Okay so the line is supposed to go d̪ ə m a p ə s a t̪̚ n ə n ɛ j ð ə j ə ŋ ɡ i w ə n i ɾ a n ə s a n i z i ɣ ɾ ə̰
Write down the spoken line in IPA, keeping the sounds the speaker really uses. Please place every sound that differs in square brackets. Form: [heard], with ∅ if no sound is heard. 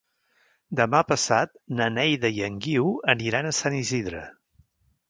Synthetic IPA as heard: d̪ ə m a p ə s a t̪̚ n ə n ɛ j ð ə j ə ŋ ɡ i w ə n i ɾ a n ə s a n i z i [ð] ɾ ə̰